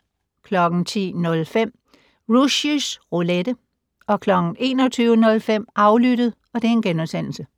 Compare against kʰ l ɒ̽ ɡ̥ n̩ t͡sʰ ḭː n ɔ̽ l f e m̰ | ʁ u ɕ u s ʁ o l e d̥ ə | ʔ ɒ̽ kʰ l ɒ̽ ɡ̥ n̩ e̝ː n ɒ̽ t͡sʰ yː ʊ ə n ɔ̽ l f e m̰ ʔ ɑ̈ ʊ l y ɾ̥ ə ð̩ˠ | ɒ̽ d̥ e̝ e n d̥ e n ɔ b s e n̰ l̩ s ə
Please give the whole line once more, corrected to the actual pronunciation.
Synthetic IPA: kʰ l ɒ̽ ɡ̥ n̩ t͡sʰ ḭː n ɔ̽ l f e m̰ | ʁ u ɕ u s ʁ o l e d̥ ə | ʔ ɒ̽ kʰ l ɒ̽ ɡ̥ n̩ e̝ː n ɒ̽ t͡sʰ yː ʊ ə n ɔ̽ l f e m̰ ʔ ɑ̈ ʊ l y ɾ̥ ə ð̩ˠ | ɒ̽ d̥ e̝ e n ɡ̥ e n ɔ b s e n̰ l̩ s ə

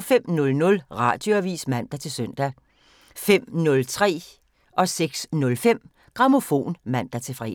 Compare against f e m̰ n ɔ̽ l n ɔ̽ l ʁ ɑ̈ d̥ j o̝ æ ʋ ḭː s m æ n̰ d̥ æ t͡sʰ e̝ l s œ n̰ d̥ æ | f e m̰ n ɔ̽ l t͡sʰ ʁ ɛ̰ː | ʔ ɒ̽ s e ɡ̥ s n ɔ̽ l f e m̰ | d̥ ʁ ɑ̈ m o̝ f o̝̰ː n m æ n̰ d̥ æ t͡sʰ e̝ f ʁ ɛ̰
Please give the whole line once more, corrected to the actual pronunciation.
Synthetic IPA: f e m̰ n ɔ̽ l n ɔ̽ l ʁ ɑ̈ d̥ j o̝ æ ʋ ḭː s m æ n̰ d̥ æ t͡sʰ e̝ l s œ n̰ d̥ æ | f e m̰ n ɔ̽ l t͡sʰ ʁ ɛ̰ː | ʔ ɒ̽ s e ɡ̥ s n ɔ̽ l f e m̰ | ɡ̥ ʁ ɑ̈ m o̝ f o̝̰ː n m æ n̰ d̥ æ t͡sʰ e̝ f ʁ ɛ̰

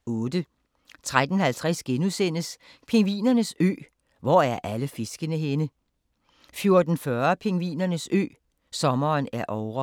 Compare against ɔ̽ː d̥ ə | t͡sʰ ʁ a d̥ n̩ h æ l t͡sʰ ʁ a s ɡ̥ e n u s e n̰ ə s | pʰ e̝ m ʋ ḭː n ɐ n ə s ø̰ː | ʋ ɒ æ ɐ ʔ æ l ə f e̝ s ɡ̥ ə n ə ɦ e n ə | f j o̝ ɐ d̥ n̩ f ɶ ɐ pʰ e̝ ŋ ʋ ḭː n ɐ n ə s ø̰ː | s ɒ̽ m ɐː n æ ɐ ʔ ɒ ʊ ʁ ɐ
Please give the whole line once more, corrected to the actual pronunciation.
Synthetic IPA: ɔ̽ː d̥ ə | t͡sʰ ʁ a d̥ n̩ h æ l t͡sʰ ʁ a s ɡ̥ e n u s e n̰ ə s | pʰ e̝ ŋ ʋ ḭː n ɐ n ə s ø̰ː | ʋ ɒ æ ɐ ʔ æ l ə f e̝ s ɡ̥ ə n ə ɦ e n ə | f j o̝ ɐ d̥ n̩ f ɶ ɐ pʰ e̝ ŋ ʋ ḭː n ɐ n ə s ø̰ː | s ɒ̽ m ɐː n æ ɐ ʔ ɒ ʊ ʁ ɐ

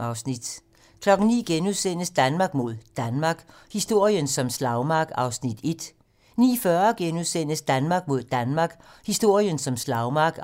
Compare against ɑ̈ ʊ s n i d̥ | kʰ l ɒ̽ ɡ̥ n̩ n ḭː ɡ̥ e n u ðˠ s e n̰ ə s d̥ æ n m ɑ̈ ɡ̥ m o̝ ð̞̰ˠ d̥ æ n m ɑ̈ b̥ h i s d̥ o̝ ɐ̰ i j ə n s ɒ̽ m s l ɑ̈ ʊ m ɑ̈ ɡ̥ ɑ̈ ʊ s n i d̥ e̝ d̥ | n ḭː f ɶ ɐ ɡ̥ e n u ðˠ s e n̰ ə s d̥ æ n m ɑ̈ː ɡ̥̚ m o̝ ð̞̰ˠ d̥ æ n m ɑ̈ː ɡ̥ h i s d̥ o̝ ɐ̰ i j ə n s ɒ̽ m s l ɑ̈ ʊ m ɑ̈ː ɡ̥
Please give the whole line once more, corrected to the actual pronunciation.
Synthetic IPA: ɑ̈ ʊ s n i d̥ | kʰ l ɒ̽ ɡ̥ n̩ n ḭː ɡ̥ e n u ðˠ s e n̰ ə s d̥ æ n m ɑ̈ ɡ̥ m o̝ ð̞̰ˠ d̥ æ n m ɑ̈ ɡ̥ h i s d̥ o̝ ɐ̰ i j ə n s ɒ̽ m s l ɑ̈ ʊ m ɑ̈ ɡ̥ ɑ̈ ʊ s n i d̥ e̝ d̥ | n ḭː f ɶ ɐ ɡ̥ e n u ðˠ s e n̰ ə s d̥ æ n m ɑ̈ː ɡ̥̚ m o̝ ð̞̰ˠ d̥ æ n m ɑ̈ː ɡ̥ h i s d̥ o̝ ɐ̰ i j ə n s ɒ̽ m s l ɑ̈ ʊ m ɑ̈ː ɡ̥

